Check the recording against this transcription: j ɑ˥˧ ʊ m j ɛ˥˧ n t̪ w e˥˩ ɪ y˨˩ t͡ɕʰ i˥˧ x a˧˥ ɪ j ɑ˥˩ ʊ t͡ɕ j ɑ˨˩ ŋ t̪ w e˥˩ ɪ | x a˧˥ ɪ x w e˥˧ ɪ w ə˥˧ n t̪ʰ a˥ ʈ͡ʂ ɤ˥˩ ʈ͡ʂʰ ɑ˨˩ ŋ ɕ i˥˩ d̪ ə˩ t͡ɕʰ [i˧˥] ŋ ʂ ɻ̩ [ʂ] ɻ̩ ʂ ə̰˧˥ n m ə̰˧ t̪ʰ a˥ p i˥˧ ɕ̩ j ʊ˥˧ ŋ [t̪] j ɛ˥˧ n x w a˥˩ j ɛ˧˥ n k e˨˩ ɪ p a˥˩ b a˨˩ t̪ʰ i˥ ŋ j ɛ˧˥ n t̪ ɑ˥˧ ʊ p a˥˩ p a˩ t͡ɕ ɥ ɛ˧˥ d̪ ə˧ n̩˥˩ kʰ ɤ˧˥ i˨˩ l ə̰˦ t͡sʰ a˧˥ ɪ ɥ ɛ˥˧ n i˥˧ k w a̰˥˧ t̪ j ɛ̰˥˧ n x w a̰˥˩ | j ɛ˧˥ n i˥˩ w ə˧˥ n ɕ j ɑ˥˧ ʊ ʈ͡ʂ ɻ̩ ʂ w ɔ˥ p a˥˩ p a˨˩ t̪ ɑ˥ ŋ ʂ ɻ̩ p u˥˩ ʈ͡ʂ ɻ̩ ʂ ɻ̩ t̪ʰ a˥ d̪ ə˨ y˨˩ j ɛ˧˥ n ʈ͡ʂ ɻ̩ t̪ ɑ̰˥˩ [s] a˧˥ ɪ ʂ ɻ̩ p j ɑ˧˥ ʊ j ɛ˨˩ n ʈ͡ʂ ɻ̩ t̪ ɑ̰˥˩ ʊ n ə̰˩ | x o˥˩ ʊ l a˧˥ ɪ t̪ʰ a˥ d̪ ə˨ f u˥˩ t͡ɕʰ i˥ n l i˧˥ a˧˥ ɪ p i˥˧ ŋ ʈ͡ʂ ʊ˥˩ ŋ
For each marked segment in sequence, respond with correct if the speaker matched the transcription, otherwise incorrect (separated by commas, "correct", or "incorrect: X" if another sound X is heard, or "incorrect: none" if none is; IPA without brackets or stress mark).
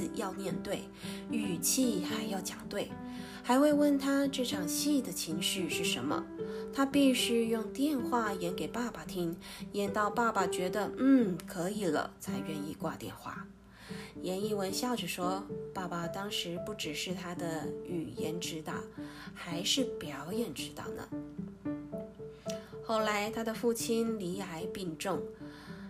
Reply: correct, correct, correct, incorrect: x